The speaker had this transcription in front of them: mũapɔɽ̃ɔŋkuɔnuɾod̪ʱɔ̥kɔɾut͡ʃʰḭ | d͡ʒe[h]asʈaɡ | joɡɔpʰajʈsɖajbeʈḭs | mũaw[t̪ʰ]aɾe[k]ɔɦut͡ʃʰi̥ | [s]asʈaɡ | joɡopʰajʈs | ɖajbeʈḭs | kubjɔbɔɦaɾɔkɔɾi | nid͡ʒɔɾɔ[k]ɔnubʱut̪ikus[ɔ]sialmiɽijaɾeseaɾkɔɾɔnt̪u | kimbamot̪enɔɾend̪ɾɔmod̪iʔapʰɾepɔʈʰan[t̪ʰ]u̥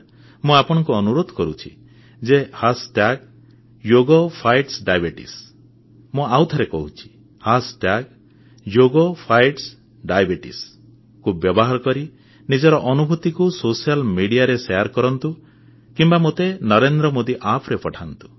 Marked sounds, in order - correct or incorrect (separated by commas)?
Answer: correct, correct, correct, incorrect, incorrect, incorrect, incorrect